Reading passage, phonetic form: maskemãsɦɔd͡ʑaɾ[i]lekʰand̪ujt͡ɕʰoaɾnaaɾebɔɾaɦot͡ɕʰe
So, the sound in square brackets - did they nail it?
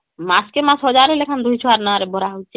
no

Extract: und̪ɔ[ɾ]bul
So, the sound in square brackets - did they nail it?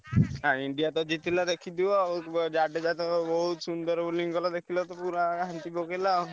yes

